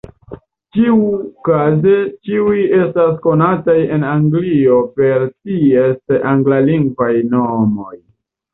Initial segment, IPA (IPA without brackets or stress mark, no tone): t͡ʃ